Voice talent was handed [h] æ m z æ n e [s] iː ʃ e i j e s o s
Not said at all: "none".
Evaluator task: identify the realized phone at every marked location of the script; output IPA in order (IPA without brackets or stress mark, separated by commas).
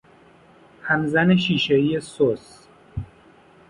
h, ʃ